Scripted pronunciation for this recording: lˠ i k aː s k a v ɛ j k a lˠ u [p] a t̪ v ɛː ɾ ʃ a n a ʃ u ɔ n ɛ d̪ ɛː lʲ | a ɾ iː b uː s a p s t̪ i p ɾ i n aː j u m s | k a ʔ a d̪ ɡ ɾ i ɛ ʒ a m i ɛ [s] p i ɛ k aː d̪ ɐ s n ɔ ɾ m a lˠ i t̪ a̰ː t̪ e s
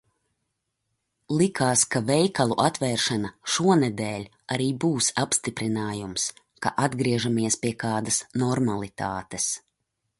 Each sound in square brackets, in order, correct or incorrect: incorrect: ʔ, correct

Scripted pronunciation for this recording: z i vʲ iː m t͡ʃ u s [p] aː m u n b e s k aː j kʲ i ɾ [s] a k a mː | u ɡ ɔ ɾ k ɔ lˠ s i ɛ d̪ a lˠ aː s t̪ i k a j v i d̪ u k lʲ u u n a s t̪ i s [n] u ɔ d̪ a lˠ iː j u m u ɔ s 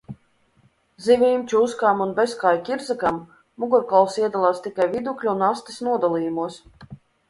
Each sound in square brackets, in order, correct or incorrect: incorrect: k, incorrect: z, correct

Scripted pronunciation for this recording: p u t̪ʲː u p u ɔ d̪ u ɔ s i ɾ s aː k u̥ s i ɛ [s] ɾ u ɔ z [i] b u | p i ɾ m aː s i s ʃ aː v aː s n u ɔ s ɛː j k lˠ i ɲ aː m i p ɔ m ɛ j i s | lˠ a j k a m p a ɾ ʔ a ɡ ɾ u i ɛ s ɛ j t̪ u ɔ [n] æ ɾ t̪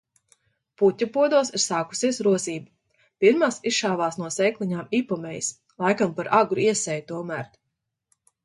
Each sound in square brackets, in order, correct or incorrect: correct, incorrect: iː, incorrect: m

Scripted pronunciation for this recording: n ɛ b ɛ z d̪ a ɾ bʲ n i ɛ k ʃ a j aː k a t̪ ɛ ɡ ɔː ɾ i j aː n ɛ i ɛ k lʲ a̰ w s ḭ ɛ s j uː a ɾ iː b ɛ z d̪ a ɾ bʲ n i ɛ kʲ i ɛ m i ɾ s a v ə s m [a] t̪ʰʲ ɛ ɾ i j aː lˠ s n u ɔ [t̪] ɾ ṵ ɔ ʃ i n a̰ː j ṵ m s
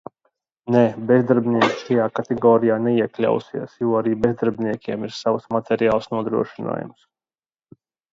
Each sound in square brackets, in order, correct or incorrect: correct, incorrect: d̪

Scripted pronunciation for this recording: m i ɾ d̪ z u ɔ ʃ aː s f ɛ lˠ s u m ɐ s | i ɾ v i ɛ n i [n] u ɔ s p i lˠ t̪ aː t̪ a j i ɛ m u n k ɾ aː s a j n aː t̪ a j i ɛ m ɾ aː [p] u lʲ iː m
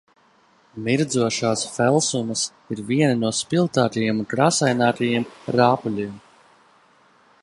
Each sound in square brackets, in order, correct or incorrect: correct, correct

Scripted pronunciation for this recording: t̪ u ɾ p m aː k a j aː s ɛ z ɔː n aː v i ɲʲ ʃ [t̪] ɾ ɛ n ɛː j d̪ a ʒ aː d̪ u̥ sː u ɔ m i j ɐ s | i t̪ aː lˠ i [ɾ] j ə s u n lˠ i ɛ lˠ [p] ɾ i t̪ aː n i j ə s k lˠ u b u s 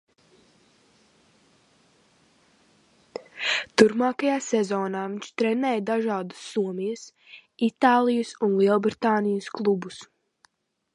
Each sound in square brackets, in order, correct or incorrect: correct, incorrect: none, incorrect: b

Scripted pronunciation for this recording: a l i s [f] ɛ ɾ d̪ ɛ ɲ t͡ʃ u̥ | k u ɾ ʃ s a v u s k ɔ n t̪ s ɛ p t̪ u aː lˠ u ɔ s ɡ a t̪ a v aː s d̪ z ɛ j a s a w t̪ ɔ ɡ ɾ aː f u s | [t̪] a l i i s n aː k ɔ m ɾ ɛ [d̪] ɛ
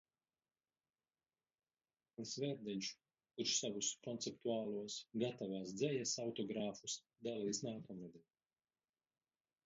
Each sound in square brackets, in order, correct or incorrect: incorrect: v, incorrect: d̪, correct

